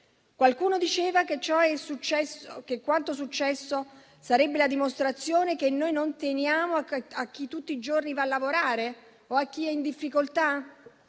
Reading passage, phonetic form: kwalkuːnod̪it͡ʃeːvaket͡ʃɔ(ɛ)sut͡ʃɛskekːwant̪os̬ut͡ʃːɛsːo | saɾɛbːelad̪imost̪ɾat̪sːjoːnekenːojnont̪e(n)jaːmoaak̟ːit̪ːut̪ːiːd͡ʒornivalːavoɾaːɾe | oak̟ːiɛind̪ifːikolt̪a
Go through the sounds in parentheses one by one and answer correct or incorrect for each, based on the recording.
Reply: correct, correct

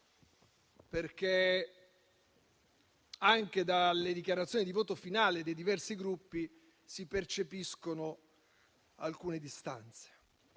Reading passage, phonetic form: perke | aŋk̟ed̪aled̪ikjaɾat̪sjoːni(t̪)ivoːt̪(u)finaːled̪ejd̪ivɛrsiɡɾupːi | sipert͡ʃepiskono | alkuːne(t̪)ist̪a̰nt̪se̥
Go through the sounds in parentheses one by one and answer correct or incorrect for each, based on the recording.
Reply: incorrect: d̪, incorrect: o, incorrect: d̪

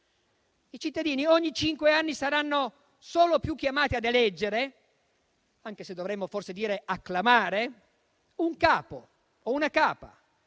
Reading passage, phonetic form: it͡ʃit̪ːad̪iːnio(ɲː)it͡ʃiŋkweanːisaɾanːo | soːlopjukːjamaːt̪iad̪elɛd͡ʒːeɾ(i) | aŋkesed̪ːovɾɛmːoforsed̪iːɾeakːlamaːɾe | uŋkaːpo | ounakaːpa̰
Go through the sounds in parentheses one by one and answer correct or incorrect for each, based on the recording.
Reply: correct, incorrect: e

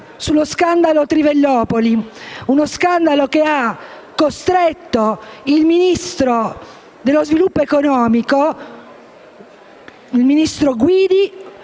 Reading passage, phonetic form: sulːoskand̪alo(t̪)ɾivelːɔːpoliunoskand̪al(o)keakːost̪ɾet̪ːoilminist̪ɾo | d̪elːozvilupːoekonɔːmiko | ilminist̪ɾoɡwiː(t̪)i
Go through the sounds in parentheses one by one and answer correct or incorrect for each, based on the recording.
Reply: correct, correct, incorrect: d̪

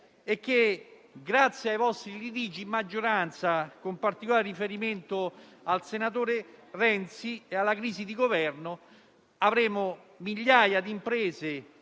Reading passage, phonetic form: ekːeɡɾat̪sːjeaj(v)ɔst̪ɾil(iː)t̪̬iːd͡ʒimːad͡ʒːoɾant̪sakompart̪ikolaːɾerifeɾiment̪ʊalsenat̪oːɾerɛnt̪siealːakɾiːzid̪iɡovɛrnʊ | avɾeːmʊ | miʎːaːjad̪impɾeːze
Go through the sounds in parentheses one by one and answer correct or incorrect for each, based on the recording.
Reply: correct, incorrect: i

